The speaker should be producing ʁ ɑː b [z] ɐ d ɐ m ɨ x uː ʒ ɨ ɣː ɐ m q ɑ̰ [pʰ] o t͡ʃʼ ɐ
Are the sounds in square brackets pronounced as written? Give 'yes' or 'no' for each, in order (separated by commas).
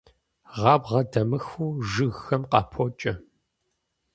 no, yes